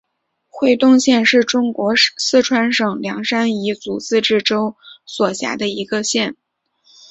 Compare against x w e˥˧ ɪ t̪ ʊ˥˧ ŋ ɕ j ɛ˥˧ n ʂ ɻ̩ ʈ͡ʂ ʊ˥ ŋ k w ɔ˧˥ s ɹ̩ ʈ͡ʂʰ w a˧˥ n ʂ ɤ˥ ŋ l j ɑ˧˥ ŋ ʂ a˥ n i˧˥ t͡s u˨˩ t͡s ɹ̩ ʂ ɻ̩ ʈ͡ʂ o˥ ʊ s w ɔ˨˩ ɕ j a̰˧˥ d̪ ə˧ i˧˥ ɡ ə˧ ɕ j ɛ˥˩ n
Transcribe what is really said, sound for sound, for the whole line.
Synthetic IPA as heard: x w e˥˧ ɪ t̪ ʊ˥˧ ŋ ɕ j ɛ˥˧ n ʂ ɻ̩ ʈ͡ʂ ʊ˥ ŋ k w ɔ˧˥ s ɹ̩ ʈ͡ʂʰ w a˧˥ n ʂ ɤ˨˩ ŋ l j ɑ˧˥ ŋ ʂ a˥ n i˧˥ t͡s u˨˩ t͡s ɹ̩ ʈ͡ʂ ɻ̩ ʈ͡ʂ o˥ ʊ s w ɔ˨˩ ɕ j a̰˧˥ d̪ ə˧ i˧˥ ɡ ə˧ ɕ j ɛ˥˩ n

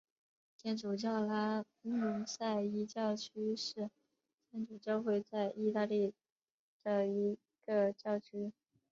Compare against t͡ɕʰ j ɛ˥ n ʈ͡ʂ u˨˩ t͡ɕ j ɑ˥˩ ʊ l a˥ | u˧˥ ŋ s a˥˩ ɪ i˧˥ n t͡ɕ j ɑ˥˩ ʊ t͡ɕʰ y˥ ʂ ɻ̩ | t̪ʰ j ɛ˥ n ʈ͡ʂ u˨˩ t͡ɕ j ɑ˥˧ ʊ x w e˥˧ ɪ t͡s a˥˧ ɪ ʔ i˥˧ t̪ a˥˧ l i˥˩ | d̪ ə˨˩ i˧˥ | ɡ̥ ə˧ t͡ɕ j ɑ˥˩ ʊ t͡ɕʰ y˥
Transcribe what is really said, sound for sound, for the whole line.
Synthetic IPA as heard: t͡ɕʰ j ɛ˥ n ʈ͡ʂ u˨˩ t͡ɕ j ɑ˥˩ ʊ l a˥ | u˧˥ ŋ s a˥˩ ɪ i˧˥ t͡ɕ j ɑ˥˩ ʊ t͡ɕʰ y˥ ʂ ɻ̩ | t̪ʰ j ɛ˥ n ʈ͡ʂ u˨˩ t͡ɕ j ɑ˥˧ ʊ x w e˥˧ ɪ t͡s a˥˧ ɪ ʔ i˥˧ t̪ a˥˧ l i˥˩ | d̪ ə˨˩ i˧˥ | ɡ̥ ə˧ t͡ɕ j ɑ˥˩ ʊ t͡ɕʰ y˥

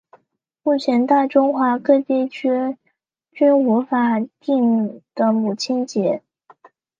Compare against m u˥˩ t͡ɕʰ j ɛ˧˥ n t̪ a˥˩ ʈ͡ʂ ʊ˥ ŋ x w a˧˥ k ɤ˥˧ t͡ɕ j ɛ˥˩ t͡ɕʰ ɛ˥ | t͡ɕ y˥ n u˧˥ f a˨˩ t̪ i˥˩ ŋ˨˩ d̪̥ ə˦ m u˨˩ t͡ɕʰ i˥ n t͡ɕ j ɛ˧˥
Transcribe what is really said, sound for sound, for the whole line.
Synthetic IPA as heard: m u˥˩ t͡ɕʰ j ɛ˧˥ n t̪ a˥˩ ʈ͡ʂ ʊ˥ ŋ x w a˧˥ k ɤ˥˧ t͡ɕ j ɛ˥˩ t͡ɕʰ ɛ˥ | t͡ɕ y˥ n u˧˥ f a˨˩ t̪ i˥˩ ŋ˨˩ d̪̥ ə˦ m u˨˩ t͡ɕʰ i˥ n t͡ɕ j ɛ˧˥

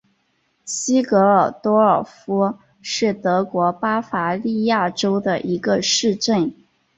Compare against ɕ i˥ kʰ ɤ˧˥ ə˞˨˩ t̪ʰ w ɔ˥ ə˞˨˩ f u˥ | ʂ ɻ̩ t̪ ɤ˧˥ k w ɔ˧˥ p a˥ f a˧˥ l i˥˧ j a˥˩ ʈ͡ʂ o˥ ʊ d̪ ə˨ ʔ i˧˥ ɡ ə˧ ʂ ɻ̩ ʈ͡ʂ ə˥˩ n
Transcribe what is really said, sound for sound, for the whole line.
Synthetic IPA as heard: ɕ i˥ k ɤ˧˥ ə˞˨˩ t̪ w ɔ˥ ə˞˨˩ f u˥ | ʂ ɻ̩ t̪ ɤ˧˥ k w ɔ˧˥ p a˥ f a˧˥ l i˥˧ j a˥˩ ʈ͡ʂ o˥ ʊ d̪ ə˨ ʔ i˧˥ ɡ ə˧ ʂ ɻ̩ ʈ͡ʂ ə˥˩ n

